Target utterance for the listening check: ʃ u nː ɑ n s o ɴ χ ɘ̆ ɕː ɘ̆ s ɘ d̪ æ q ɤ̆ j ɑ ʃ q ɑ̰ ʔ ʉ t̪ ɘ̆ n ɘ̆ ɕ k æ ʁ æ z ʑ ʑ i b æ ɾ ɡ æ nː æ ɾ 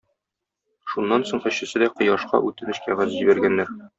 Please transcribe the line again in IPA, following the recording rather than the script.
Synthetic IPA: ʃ u nː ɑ n s o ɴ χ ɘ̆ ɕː ɘ̆ s ɘ d̪ æ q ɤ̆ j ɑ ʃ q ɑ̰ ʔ ʉ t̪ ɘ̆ n ɘ̆ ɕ k æ ʁ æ z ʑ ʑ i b æ ɾ ɡ æ nː æ ɾ